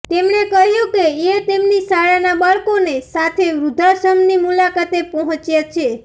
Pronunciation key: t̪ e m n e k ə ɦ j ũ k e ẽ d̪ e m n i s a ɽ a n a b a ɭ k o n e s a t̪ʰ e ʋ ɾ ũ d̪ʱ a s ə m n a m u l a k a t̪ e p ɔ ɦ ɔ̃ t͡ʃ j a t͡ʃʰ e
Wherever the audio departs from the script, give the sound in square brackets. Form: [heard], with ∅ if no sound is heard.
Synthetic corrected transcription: t̪ e m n e k ə ɦ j ũ k e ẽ [t̪] e m n i s a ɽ a n a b a ɭ k o n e s a t̪ʰ e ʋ ɾ [u] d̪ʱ a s ə m n [i] m u l a k a t̪ e p ɔ ɦ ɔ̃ t͡ʃ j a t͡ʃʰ e